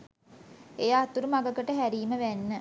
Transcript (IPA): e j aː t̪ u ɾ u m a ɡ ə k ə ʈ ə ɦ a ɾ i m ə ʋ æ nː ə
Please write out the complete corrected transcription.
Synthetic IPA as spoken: e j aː t̪ u ɾ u m a ɡ ə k ə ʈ ə ɦ æ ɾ iː m ə ʋ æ nː ə